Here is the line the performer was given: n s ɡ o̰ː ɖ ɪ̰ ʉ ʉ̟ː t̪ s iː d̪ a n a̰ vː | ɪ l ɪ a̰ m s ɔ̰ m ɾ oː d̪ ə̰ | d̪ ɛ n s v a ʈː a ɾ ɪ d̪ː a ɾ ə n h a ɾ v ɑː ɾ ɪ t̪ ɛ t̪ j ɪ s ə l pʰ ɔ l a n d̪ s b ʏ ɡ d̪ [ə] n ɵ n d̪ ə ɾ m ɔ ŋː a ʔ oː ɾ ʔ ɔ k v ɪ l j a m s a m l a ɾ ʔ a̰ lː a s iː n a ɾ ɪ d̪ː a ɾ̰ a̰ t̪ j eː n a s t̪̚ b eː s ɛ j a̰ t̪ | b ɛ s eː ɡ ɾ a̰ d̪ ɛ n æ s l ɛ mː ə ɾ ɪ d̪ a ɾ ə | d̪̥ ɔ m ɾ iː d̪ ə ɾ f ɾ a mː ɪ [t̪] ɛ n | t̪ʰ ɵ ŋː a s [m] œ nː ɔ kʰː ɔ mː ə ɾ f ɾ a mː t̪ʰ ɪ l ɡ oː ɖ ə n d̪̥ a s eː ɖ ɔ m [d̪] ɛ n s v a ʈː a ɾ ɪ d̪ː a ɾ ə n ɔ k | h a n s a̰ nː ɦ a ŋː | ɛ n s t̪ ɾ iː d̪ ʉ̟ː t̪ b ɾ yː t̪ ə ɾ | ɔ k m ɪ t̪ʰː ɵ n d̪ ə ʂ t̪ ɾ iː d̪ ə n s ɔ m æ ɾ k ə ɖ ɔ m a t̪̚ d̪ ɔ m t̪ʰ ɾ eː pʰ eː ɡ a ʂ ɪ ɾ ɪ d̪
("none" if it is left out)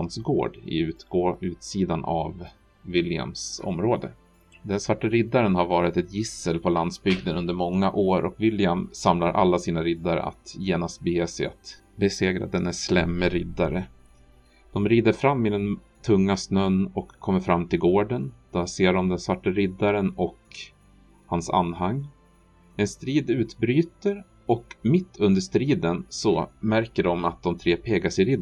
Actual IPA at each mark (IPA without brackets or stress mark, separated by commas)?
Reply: ə, d̪, n, d̪